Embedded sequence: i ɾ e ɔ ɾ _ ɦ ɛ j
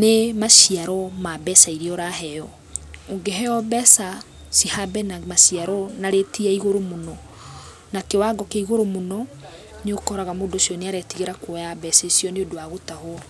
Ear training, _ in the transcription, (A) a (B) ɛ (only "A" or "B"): A